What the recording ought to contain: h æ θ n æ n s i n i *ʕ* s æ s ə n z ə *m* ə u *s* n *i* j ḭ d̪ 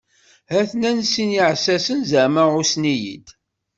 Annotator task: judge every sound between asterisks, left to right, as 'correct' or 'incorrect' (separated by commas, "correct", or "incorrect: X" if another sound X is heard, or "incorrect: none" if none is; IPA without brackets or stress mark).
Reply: correct, correct, correct, correct